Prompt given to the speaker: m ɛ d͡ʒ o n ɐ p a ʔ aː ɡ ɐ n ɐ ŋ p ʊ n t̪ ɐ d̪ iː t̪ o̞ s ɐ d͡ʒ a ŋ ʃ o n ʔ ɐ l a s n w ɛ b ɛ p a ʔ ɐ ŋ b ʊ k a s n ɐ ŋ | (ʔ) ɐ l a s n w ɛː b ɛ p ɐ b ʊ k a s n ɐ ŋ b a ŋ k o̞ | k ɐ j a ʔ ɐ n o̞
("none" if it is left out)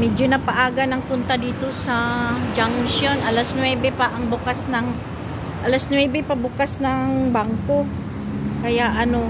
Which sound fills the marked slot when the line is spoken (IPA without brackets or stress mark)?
ʔ